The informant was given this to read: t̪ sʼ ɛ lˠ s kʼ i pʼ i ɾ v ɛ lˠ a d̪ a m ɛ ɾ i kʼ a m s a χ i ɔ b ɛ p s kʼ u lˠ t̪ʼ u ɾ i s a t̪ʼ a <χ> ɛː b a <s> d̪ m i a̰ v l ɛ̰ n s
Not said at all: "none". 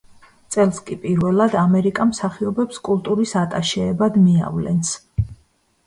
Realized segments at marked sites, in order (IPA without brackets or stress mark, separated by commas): ʃ, none